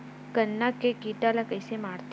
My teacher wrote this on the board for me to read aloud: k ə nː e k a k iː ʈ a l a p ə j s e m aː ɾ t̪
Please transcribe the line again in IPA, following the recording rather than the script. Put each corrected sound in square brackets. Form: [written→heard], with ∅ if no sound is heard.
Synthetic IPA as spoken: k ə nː [e→a] k [a→e] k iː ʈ a l a [p→k] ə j s e m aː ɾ t̪